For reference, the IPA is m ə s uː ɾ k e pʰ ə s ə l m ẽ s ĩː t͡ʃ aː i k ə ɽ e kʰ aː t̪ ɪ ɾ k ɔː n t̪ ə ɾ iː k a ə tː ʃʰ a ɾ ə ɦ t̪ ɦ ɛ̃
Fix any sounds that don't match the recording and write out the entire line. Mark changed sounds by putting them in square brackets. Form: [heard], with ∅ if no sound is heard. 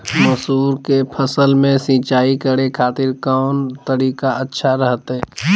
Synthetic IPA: m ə s uː ɾ k e pʰ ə s ə l m ẽ s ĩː t͡ʃ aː i k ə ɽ e kʰ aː t̪ ɪ ɾ k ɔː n t̪ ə ɾ iː k a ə tː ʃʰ a ɾ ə ɦ t̪ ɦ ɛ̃